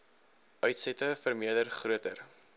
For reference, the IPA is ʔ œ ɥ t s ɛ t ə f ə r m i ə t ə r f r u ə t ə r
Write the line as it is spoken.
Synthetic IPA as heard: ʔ œ ɥ t s ɛ t ə f ə r m i ə d ə r χ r u ə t ə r

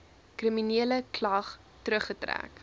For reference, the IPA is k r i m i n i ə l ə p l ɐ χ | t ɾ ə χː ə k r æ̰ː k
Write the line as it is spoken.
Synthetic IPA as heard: k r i m i n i ə l ə k l ɐ χ | t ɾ ə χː ə t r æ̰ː k

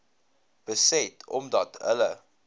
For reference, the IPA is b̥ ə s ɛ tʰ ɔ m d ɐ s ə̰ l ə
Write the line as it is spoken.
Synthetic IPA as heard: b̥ ə s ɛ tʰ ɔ m d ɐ t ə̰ l ə

